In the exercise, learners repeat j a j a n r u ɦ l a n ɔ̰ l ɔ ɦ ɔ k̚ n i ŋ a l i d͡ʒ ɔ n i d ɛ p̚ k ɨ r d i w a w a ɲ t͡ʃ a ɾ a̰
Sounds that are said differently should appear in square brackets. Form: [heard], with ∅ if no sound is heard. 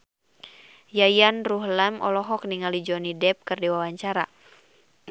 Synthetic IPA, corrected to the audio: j a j a n r u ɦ l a [m] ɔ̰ l ɔ ɦ ɔ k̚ n i ŋ a l i d͡ʒ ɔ n i d ɛ p̚ k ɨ r d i w a w a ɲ t͡ʃ a ɾ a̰